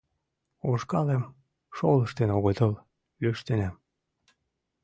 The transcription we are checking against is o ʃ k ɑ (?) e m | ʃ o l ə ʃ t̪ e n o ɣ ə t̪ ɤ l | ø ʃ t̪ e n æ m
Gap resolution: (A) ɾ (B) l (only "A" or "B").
B